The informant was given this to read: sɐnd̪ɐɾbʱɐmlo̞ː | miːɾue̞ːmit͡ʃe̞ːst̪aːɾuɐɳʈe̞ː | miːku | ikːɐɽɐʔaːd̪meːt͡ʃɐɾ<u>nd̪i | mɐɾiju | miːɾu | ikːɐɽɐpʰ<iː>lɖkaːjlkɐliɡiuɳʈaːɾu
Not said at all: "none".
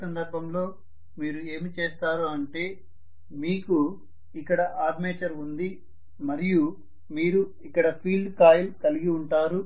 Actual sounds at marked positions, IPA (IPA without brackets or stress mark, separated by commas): u, iː